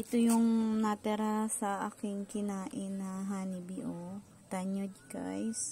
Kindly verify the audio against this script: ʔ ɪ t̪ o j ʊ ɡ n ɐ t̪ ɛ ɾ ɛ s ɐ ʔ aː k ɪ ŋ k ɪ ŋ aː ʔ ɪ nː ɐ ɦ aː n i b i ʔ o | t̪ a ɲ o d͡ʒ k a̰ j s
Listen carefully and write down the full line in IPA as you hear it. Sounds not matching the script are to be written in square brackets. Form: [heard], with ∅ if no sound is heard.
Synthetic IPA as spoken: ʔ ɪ t̪ o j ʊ [ŋ] n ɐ t̪ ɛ ɾ [a] s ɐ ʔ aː k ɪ ŋ k ɪ [n] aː ʔ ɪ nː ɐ ɦ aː n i b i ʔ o | t̪ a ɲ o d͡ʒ k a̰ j s